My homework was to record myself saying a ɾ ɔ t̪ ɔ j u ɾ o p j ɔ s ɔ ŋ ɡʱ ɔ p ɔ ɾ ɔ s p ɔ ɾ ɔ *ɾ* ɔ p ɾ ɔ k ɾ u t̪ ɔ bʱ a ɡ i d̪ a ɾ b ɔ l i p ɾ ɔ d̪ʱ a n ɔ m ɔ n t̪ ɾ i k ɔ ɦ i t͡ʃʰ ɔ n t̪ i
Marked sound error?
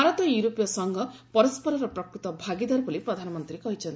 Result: no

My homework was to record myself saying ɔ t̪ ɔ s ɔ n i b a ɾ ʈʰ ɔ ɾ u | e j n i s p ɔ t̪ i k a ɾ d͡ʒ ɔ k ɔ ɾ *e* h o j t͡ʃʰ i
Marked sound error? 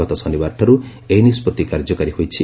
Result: yes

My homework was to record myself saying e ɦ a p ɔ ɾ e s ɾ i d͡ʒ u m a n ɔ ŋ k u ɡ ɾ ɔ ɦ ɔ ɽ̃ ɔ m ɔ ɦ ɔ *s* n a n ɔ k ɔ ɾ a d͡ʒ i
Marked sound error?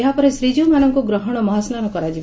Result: no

